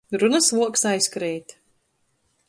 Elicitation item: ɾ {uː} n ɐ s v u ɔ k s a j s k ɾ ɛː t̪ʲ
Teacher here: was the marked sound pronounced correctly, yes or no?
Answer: no